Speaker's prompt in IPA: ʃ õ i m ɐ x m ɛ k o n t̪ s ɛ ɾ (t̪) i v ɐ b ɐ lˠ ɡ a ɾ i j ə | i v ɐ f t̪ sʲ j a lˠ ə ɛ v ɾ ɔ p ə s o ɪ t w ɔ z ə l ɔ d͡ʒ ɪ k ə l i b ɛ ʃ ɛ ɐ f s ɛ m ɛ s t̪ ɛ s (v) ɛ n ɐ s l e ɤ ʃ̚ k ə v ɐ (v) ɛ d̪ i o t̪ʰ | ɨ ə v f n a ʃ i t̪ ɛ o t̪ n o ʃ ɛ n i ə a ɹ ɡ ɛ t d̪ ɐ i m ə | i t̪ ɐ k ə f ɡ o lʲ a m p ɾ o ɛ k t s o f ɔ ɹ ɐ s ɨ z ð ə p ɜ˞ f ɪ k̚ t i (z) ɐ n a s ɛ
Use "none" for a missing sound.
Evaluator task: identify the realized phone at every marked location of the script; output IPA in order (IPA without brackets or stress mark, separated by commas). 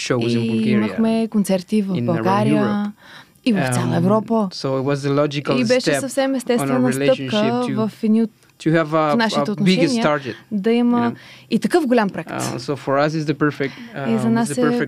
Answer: t̪, v, f, z